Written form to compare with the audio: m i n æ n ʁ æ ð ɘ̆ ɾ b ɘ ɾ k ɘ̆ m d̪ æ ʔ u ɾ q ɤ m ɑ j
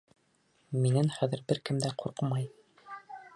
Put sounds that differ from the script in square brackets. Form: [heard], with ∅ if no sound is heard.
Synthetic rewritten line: m i n æ n [χ] æ ð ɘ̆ ɾ b ɘ ɾ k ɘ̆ m d̪ æ [q] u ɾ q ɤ m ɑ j